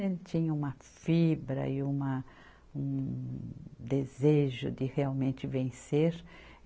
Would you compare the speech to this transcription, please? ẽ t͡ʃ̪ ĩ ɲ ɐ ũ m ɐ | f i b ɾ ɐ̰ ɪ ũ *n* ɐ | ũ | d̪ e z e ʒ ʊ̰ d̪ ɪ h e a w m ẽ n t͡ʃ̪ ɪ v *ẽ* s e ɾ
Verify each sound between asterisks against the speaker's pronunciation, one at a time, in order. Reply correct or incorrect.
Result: incorrect: m, correct

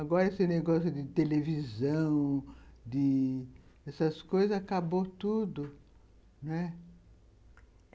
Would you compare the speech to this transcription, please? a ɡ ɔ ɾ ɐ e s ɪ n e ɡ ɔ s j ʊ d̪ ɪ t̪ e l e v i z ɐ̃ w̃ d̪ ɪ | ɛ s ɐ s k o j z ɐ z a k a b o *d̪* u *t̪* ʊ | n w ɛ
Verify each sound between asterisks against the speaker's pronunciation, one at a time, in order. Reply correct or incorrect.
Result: incorrect: t̪, incorrect: d̪

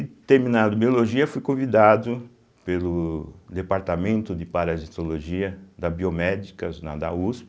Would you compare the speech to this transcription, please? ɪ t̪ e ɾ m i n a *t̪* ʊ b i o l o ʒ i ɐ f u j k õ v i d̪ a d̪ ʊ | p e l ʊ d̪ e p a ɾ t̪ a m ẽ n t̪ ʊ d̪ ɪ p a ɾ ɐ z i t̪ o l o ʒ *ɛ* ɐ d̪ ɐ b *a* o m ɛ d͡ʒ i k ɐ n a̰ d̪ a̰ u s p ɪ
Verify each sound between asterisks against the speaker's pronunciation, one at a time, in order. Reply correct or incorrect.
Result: incorrect: d̪, incorrect: i, incorrect: i

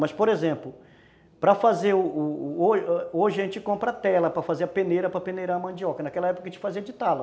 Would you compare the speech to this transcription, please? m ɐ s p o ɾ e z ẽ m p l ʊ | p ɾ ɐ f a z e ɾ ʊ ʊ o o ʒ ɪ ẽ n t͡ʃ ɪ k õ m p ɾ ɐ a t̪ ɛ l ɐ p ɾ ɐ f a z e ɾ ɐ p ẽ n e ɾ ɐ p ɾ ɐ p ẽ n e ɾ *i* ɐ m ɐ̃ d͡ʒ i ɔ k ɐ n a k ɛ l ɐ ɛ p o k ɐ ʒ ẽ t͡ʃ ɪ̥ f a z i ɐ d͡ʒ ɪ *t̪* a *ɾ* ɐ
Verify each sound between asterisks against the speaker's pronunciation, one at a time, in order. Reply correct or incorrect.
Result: incorrect: a, correct, incorrect: l

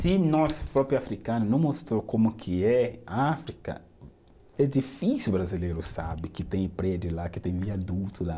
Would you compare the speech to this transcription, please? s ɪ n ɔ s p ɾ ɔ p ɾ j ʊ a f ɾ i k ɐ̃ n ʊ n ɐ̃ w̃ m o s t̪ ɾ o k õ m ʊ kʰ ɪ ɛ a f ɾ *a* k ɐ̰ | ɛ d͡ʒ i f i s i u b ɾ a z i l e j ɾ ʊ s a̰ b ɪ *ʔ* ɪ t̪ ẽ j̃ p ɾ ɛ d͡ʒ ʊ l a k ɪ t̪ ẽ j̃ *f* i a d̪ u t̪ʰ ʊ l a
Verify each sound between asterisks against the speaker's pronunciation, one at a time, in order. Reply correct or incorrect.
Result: incorrect: i, incorrect: k, incorrect: v

